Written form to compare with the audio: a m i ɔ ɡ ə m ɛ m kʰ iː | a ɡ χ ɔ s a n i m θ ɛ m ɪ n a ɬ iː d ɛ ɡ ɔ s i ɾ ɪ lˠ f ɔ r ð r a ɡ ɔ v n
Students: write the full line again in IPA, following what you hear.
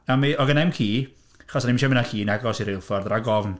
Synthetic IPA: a m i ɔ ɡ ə n ɛ m kʰ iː | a χ ɔ s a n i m ʃ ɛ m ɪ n a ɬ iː n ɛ ɡ ɔ s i ɾ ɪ lˠ f ɔ r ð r a ɡ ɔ v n